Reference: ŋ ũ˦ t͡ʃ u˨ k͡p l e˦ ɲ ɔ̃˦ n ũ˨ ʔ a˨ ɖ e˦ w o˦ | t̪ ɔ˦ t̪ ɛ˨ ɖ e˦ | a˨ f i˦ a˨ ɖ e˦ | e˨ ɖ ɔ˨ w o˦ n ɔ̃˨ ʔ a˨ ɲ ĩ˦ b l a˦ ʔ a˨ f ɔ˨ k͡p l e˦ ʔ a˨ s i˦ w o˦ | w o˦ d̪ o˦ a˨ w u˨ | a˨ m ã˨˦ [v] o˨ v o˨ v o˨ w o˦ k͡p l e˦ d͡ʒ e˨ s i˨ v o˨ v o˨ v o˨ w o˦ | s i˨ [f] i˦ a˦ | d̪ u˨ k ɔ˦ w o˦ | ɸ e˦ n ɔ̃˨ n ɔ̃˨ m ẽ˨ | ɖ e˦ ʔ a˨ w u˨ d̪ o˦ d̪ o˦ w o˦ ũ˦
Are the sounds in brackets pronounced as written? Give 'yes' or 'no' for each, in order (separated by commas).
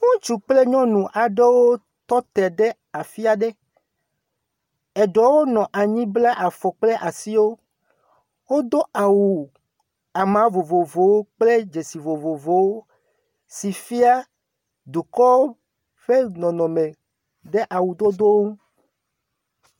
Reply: yes, yes